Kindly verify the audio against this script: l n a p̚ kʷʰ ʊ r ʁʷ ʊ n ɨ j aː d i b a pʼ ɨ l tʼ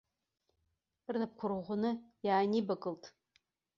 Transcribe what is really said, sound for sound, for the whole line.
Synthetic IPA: r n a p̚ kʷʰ ʊ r ʁʷ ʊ n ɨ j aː n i b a kʼ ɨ l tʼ